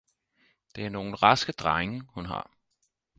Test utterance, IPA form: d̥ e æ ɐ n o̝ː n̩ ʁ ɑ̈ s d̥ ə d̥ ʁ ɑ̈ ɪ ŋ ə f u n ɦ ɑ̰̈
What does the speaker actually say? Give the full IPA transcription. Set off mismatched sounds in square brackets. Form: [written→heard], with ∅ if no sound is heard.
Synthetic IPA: d̥ e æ ɐ n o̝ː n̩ ʁ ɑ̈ s [d̥→ɡ̥] ə d̥ ʁ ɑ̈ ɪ ŋ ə [f→h] u n ɦ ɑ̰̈